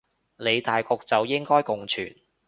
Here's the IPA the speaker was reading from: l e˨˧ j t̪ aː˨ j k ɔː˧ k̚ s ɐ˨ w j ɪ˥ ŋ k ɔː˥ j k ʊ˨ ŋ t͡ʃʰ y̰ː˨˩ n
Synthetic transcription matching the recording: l e˨˧ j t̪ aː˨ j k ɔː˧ k̚ t͡s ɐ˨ w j ɪ˥ ŋ k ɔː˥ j k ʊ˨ ŋ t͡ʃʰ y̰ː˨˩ n